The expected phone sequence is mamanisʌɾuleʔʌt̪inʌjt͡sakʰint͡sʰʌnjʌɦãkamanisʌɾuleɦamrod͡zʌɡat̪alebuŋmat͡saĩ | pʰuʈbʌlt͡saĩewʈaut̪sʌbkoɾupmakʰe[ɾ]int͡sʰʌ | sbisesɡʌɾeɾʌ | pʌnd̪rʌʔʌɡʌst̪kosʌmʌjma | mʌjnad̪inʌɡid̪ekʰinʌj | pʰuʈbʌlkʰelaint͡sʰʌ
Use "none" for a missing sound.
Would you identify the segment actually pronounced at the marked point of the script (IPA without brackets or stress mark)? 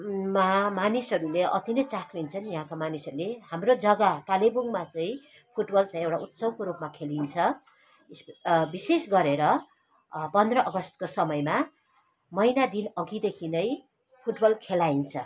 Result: l